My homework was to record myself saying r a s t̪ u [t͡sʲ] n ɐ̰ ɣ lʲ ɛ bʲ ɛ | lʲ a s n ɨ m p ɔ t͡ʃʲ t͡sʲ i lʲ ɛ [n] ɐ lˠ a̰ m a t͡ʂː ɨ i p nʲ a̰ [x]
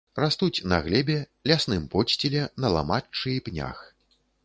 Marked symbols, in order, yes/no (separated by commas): yes, yes, yes